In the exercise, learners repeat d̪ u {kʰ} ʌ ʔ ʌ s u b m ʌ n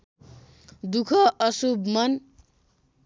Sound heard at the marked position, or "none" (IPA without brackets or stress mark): kʰ